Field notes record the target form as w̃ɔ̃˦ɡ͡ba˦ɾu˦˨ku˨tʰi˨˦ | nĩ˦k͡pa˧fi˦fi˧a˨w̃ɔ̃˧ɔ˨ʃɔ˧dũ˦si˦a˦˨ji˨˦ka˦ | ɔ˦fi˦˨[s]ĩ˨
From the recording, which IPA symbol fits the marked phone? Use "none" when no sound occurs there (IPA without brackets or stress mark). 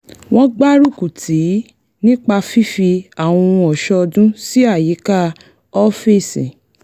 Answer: s